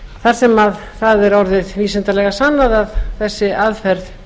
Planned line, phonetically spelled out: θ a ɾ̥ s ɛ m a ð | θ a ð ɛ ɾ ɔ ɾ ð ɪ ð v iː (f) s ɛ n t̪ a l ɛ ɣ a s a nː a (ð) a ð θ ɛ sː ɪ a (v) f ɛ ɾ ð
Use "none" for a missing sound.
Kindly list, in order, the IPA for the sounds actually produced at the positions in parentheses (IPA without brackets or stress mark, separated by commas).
none, ð, ð